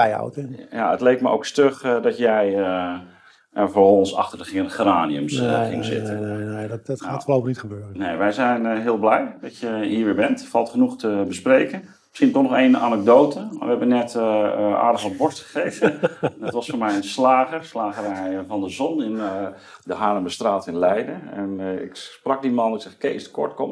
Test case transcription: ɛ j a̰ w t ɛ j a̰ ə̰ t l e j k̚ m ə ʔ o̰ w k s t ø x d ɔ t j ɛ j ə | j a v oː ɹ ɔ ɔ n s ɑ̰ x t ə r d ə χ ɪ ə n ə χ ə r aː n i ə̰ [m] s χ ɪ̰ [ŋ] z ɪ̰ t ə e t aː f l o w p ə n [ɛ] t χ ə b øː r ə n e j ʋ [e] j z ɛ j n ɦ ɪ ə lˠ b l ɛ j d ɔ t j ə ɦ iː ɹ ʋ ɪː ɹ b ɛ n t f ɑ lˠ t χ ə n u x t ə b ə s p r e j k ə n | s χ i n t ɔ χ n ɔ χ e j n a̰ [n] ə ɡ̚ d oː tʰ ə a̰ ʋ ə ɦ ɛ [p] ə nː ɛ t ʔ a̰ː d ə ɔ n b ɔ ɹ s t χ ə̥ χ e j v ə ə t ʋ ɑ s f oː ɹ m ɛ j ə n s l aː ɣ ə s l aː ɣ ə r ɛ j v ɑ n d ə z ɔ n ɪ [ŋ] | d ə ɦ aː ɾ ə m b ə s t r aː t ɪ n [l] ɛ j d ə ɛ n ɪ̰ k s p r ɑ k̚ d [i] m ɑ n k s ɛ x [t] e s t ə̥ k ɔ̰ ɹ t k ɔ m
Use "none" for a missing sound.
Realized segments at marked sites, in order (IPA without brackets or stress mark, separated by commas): m, ŋ, i, ɛ, n, b, n, l, i, k